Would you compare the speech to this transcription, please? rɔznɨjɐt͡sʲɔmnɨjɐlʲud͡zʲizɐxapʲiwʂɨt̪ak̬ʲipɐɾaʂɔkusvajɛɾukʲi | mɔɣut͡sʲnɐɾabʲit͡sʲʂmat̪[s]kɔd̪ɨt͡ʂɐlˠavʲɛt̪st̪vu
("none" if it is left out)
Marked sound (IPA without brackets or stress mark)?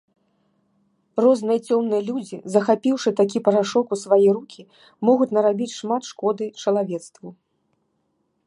ʂ